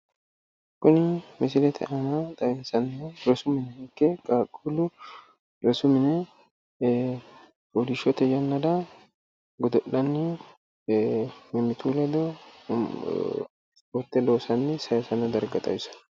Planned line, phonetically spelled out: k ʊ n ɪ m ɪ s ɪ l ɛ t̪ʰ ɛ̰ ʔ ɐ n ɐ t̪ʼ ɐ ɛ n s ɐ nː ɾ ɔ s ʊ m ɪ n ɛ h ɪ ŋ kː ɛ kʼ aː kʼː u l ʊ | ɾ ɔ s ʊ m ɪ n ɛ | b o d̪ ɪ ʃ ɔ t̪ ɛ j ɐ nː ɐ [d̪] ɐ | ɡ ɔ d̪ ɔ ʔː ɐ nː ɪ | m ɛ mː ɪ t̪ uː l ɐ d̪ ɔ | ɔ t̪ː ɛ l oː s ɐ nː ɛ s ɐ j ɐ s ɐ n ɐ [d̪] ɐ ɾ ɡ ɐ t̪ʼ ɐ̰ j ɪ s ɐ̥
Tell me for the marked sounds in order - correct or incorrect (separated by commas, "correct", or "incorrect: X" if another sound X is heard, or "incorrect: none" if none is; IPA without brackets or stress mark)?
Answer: correct, correct